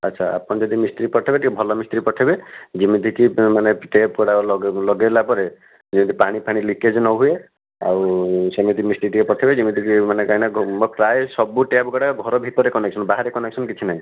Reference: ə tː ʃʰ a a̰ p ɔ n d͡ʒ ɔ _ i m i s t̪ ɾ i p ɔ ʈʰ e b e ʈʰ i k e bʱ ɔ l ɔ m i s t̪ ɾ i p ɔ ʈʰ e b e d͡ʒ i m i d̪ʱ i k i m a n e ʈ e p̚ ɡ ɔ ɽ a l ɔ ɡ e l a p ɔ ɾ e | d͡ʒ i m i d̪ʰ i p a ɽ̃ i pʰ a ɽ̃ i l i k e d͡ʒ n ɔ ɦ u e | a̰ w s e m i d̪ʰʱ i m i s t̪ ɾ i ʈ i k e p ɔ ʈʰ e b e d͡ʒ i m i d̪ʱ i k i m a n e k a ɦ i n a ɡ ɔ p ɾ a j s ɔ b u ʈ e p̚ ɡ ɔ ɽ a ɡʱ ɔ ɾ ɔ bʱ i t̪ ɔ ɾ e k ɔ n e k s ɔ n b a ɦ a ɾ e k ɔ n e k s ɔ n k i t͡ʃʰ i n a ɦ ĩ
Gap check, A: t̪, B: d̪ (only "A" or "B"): B